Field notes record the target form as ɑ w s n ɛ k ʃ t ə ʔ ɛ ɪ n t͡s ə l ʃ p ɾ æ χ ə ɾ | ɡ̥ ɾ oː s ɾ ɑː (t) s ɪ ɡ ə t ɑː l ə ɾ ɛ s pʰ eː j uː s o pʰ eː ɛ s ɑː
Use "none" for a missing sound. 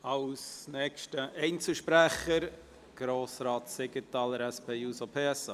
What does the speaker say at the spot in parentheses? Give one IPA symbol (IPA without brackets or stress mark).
t